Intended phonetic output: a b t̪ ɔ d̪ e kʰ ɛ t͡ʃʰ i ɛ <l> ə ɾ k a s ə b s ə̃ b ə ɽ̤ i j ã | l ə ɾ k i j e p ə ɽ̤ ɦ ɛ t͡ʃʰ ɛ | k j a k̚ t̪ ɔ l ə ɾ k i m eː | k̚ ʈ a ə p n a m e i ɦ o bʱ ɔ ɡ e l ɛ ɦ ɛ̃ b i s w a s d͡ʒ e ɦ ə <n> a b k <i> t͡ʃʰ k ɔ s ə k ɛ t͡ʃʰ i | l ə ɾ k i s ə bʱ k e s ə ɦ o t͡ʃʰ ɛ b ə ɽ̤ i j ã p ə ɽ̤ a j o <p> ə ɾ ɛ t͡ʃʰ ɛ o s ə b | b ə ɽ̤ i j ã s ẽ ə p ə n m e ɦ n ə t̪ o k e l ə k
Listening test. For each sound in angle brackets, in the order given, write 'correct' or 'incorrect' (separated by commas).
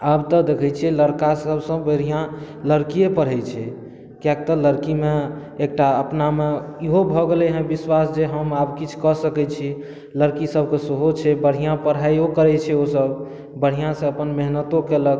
correct, incorrect, correct, incorrect